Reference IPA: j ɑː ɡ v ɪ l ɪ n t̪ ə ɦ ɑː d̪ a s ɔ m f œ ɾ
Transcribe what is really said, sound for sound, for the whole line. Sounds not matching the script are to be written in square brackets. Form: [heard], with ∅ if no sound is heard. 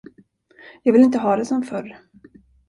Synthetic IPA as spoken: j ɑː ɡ v ɪ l ɪ n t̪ ə ɦ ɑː d̪ [ɛ] s ɔ m f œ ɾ